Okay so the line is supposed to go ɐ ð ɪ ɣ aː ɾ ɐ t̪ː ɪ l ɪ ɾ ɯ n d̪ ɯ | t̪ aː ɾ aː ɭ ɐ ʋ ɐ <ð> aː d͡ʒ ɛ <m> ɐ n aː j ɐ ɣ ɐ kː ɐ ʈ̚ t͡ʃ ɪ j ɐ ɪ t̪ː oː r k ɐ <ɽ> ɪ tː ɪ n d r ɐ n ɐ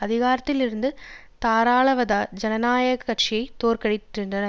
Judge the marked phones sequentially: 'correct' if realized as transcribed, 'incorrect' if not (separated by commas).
correct, incorrect, correct